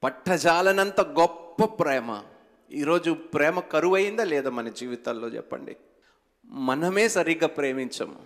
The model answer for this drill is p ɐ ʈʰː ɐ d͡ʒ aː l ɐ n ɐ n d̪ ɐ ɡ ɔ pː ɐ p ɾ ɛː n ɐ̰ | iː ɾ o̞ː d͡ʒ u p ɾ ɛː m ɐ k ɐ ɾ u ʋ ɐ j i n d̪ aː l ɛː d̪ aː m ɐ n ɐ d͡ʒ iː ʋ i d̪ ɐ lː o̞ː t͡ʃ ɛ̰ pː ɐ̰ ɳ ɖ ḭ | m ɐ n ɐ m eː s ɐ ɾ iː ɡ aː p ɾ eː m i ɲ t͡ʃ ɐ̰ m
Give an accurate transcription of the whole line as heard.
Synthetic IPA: p ɐ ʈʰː ɐ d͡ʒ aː l ɐ n ɐ n t̪ ɐ ɡ ɔ pː ɐ p ɾ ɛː m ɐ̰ | iː ɾ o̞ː d͡ʒ u p ɾ ɛː m ɐ k ɐ ɾ u ʋ ɐ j i n d̪ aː l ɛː d̪ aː m ɐ n ɐ d͡ʒ iː ʋ i t̪ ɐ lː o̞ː t͡ʃ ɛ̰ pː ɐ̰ ɳ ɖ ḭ | m ɐ n ɐ m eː s ɐ ɾ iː ɡ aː p ɾ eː m i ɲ t͡ʃ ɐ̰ m